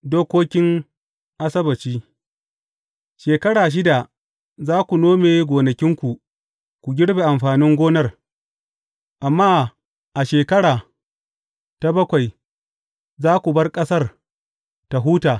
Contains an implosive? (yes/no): no